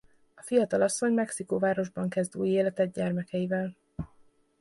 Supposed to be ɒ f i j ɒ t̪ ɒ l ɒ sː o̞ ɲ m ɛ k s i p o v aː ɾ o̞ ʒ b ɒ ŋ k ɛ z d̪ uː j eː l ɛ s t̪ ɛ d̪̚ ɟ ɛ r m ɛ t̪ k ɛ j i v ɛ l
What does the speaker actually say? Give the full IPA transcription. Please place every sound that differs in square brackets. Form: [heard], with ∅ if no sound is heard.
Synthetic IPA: ɒ f i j ɒ t̪ ɒ l ɒ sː o̞ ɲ m ɛ k s i [k] o v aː ɾ o̞ ʒ b ɒ ŋ k ɛ z d̪ uː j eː l ɛ [∅] t̪ ɛ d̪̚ ɟ ɛ r m ɛ [∅] k ɛ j i v ɛ l